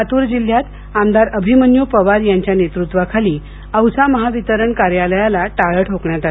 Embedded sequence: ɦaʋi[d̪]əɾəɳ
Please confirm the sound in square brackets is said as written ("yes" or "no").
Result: no